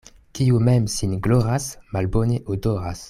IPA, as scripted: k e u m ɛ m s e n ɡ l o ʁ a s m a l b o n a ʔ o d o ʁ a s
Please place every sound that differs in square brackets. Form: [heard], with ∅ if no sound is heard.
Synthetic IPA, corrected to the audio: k [i] u m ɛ m s [i] n ɡ l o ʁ a s m a l b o n [e] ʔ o d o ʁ a s